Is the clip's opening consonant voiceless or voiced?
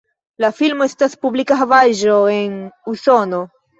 voiced